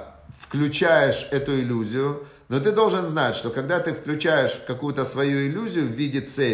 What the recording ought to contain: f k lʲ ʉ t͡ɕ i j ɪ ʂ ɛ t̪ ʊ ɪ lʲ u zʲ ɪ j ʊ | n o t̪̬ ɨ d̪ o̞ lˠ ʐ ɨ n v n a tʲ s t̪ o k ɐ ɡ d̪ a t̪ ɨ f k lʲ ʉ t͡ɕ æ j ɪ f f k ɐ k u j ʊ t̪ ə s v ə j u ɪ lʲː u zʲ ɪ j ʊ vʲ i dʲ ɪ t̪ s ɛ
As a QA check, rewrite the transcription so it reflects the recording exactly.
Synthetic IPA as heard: f k lʲ ʉ t͡ɕ æ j ɪ ʂ ɛ t̪ ʊ ɪ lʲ u zʲ ɪ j ʊ | n o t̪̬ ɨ d̪ o̞ lˠ ʐ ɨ n z n a tʲ ʂ t̪ o k ɐ ɡ d̪ a t̪ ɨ f k lʲ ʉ t͡ɕ æ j ɪ ʂ f k ɐ k u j ʊ t̪ ə s v ɐ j u ɪ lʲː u zʲ ɪ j ʊ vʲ i dʲ ɪ t̪ s ɛ